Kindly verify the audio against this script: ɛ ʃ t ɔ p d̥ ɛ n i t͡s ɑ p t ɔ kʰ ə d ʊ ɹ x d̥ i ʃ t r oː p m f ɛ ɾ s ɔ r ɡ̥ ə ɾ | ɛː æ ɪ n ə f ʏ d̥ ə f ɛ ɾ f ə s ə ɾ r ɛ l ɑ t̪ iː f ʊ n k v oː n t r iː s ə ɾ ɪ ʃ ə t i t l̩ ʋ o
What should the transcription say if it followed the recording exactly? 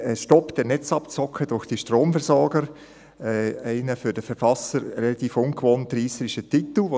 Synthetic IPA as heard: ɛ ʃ t ɔ p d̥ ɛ n ɛ t͡s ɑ p t͡s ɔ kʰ ə d ʊ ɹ x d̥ i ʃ t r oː m f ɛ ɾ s ɔ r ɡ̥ ə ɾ | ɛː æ ɪ n ə f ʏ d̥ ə f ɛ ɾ f ɑ s ə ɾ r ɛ l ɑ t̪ iː f ʊ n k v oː n t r iː s ə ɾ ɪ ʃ ə t i t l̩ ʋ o